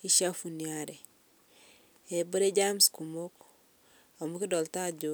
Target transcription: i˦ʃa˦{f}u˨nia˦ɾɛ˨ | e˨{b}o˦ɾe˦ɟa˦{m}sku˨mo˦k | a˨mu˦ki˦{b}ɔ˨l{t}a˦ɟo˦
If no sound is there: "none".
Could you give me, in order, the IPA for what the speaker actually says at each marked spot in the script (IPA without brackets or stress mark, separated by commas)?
f, b, m, d, t